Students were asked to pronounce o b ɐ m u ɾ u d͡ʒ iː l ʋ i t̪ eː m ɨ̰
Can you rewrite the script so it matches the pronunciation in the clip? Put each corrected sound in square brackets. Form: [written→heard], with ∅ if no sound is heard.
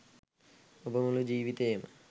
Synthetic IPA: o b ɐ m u [ɾ→l] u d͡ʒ iː [l→∅] ʋ i t̪ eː m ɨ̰